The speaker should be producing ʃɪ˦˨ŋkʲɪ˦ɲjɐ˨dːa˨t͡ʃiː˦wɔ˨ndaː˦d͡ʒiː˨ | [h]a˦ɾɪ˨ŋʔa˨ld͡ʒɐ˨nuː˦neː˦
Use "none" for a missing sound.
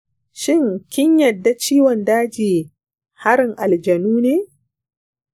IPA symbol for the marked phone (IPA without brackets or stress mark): h